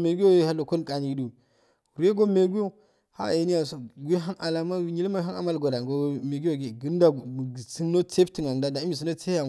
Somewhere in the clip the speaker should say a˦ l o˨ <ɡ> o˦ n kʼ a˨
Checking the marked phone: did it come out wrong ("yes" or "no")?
yes